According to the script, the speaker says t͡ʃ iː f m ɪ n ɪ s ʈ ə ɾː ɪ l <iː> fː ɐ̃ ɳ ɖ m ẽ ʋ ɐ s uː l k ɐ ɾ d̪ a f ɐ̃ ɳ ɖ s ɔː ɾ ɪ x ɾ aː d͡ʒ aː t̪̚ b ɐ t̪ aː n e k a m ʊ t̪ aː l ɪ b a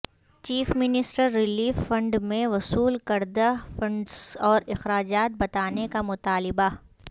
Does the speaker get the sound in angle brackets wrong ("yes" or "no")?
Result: no